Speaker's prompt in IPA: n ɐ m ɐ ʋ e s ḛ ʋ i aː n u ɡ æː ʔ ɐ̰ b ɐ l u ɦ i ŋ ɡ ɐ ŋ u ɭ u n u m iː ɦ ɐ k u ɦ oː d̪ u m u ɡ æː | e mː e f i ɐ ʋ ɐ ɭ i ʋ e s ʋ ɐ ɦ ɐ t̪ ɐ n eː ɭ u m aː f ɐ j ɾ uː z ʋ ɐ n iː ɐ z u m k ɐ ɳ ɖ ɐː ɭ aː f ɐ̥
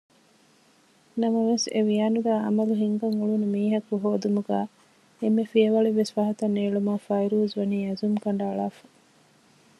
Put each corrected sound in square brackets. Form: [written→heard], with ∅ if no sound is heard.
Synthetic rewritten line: n ɐ m ɐ ʋ e s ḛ ʋ i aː n u ɡ æː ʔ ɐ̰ [b→m] ɐ l u ɦ i ŋ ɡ ɐ ŋ u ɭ u n u m iː ɦ ɐ k u ɦ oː d̪ u m u ɡ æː | e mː e f i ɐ ʋ ɐ ɭ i ʋ e s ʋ ɐ ɦ ɐ t̪ ɐ n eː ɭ u m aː f ɐ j ɾ uː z ʋ ɐ n iː ɐ z u m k ɐ ɳ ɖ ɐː ɭ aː f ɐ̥